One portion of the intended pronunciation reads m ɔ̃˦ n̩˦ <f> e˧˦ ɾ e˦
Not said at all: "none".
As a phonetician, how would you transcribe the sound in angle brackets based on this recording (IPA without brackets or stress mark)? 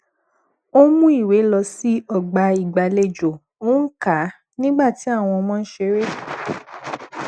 ʃ